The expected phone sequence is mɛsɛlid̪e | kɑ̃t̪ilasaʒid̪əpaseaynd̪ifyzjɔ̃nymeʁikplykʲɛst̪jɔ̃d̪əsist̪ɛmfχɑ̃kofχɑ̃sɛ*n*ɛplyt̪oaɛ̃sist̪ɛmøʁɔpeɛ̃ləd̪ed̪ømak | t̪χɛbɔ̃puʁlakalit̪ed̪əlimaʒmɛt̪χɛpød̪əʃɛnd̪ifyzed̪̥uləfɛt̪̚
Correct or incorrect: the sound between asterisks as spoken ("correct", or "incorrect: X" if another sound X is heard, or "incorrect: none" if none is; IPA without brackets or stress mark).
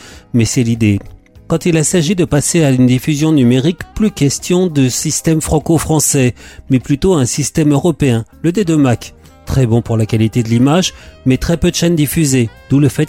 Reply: incorrect: m